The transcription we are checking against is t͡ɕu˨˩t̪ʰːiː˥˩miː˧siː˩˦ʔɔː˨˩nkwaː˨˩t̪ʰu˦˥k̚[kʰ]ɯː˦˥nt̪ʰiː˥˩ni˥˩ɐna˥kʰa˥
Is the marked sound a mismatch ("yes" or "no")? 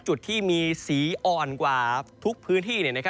yes